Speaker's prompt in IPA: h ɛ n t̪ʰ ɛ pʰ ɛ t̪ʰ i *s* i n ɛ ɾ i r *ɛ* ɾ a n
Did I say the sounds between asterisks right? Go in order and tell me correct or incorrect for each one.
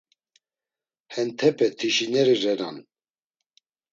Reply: incorrect: ʃ, correct

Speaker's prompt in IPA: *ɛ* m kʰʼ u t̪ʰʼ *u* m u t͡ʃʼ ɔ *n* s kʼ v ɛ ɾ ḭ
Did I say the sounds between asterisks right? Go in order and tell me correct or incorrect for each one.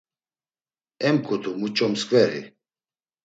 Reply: correct, correct, incorrect: m

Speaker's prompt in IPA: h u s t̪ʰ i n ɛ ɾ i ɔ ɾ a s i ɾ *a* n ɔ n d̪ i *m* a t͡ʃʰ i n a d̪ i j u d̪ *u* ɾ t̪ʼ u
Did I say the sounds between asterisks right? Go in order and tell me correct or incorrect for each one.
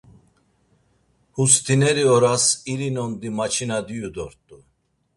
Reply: incorrect: i, correct, incorrect: ɔ

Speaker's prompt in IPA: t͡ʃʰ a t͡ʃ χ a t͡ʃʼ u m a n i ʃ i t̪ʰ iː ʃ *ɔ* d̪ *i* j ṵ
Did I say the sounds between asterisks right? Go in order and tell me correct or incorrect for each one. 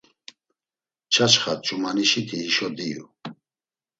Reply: correct, correct

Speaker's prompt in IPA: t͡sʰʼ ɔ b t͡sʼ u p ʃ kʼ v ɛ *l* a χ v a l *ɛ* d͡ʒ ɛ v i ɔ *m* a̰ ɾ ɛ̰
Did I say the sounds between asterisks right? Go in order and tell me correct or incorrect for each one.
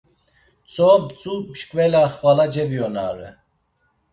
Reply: correct, incorrect: a, incorrect: n

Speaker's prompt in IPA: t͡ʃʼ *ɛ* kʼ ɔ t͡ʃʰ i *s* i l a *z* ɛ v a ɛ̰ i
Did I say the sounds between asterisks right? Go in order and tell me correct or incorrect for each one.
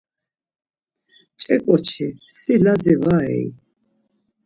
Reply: correct, correct, correct

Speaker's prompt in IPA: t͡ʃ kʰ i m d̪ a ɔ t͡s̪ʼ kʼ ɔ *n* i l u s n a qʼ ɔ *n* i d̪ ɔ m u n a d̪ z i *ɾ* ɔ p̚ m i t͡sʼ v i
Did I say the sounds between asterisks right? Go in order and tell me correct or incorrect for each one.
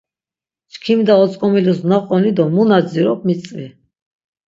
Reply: incorrect: m, correct, correct

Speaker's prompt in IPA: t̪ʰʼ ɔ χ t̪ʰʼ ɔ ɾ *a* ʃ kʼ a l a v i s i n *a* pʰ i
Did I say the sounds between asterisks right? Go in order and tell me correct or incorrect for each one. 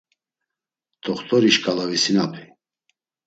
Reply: incorrect: i, correct

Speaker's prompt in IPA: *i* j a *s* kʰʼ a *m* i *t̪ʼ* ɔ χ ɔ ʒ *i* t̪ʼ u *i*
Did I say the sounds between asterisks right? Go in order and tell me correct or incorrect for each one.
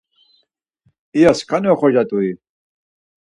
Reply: correct, correct, incorrect: n, incorrect: none, incorrect: a, correct

